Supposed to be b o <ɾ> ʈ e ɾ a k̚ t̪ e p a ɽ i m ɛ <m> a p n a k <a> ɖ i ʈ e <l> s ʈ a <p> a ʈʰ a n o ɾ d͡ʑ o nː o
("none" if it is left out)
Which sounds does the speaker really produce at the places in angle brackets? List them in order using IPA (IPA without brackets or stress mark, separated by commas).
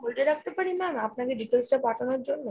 l, m, e, l, p